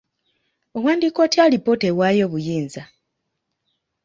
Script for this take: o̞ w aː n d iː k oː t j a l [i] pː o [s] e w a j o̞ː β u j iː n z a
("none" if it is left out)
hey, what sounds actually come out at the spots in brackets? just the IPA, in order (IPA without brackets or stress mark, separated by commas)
i, t